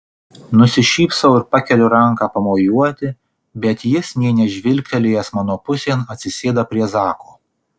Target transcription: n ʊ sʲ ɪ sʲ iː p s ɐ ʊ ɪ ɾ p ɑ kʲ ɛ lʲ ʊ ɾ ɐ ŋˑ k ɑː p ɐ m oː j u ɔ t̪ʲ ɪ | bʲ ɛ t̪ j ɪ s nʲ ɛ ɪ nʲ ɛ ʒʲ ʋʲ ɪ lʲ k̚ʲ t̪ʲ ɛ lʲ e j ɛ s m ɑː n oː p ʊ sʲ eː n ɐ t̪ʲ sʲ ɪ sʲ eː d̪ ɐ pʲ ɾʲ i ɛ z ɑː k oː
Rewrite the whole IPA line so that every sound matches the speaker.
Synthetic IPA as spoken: n ʊ sʲ ɪ ʃʲ iː p s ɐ ʊ ɪ ɾ p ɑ kʲ ɛ lʲ ʊ ɾ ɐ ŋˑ k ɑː p ɐ m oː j u ɔ t̪ʲ ɪ | bʲ ɛ t̪ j ɪ s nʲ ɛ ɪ nʲ ɛ ʒʲ ʋʲ ɪ lʲ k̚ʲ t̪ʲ ɛ lʲ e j ɛ s m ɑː n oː p ʊ sʲ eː n ɐ t̪ʲ sʲ ɪ sʲ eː d̪ ɐ pʲ ɾʲ i ɛ z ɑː k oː